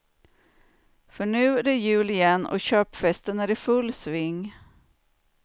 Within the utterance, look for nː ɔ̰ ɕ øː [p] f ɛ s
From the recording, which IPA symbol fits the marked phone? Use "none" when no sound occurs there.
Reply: p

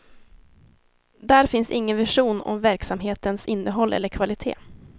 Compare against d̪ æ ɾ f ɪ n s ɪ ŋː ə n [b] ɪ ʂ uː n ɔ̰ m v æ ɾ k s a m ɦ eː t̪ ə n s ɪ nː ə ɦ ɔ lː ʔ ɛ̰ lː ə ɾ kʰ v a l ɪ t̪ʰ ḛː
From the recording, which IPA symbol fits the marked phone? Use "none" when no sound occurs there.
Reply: v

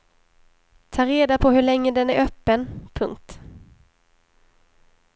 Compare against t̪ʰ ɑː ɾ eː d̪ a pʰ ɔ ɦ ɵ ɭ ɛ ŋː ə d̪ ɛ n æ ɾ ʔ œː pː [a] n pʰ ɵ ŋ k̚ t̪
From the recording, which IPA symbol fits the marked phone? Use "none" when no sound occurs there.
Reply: ə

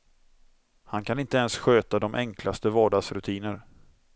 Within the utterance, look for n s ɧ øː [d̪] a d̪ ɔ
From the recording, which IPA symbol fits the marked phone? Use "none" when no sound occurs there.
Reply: t̪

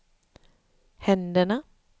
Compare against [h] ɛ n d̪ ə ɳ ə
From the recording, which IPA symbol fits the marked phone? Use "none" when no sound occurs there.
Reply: h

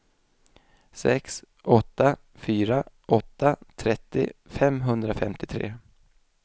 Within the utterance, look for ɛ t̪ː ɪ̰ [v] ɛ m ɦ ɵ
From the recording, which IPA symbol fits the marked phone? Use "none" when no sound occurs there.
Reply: f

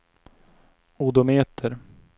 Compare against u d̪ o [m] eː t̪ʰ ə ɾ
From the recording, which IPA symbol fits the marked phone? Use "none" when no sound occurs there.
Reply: m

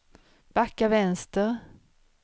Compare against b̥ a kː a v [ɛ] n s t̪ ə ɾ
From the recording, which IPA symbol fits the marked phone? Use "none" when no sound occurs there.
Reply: ɛ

